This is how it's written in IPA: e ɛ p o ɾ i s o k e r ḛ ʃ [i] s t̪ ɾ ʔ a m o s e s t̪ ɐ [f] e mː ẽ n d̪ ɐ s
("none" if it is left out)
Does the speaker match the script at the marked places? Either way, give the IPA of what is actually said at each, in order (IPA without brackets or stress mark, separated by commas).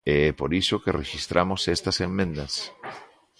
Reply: i, s